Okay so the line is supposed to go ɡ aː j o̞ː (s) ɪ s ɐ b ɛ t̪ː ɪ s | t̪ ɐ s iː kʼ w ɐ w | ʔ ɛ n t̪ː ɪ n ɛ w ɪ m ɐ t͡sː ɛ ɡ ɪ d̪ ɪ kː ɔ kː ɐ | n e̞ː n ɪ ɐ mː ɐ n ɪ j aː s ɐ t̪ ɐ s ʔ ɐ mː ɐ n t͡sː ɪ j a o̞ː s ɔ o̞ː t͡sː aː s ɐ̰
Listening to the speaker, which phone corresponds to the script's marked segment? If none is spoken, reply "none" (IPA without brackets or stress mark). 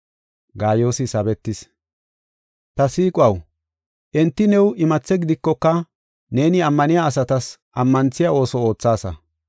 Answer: s